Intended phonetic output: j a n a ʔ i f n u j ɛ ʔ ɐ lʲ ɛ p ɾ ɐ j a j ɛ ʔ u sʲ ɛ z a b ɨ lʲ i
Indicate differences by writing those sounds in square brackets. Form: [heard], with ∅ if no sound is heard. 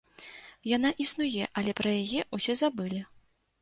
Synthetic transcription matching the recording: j a n a ʔ i [s] n u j ɛ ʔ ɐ lʲ ɛ p ɾ ɐ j a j ɛ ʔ u sʲ ɛ z a b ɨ lʲ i